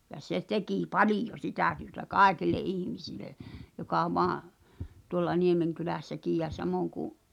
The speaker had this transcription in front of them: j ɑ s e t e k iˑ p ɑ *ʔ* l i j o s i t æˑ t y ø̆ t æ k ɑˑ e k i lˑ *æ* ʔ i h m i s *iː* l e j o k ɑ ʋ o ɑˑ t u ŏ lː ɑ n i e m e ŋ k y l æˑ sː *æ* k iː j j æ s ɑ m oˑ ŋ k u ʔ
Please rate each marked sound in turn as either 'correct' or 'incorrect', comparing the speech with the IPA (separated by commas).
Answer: incorrect, incorrect, incorrect, correct